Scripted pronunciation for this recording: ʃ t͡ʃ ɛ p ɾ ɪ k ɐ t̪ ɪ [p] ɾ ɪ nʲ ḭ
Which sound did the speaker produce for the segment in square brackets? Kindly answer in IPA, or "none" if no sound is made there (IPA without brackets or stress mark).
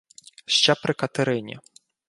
none